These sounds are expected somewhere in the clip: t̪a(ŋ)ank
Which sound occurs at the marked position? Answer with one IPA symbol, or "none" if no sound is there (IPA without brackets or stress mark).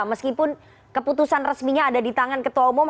ŋ